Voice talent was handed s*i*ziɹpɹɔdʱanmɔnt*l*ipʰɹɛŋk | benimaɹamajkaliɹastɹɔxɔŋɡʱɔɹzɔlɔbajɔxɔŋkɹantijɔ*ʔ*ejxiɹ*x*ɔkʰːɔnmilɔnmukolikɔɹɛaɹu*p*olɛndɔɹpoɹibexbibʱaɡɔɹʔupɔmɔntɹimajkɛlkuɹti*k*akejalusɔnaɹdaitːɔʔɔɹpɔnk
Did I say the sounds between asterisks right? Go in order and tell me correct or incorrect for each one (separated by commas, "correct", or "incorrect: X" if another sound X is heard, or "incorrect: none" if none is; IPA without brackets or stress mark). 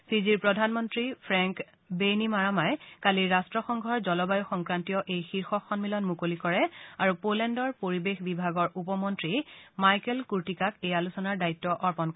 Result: correct, incorrect: ɹ, correct, correct, correct, correct